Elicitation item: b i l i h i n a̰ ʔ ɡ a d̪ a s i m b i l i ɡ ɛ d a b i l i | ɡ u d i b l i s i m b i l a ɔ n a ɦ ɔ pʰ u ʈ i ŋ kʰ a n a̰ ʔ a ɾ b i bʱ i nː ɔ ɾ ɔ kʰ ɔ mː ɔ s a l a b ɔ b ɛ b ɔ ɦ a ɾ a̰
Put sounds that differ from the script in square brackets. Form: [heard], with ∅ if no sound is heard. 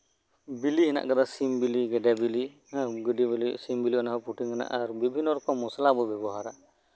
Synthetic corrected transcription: b i l i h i n a̰ ʔ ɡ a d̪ a s i m b i l i ɡ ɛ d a b i l i | ɡ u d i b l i s i m b i l [i] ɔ n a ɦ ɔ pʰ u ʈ i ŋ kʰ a n a̰ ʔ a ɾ b i bʱ i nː ɔ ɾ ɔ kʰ ɔ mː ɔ s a l a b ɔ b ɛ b ɔ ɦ a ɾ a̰